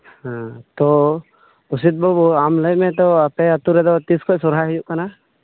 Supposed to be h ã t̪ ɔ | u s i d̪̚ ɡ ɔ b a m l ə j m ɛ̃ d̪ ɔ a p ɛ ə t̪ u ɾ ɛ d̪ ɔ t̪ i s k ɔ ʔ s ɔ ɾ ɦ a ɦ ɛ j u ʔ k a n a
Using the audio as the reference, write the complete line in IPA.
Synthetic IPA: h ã t̪ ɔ | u s i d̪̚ b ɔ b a m l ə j m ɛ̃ t̪ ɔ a p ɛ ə t̪ u ɾ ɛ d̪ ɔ t̪ i s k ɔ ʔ s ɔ ɾ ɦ a ɦ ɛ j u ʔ k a n a